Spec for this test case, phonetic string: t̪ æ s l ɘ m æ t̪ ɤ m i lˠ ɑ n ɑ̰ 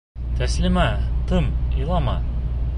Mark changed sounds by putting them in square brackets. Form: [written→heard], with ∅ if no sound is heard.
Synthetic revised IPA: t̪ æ s l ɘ m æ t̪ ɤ m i lˠ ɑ [n→m] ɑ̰